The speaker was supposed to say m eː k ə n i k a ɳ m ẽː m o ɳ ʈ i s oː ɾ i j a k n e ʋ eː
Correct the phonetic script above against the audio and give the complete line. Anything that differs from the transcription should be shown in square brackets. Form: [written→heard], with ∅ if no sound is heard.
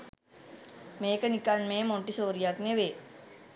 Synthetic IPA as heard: m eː k ə n i k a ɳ m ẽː m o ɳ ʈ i s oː ɾ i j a k n e ʋ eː